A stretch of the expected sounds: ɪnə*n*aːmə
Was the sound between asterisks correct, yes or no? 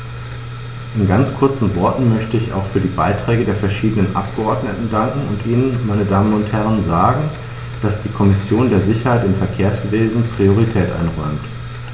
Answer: no